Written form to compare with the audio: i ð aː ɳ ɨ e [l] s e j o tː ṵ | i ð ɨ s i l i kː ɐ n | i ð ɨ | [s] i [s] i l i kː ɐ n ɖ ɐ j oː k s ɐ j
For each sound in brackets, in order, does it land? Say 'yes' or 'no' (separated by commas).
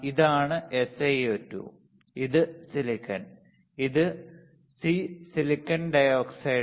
no, yes, yes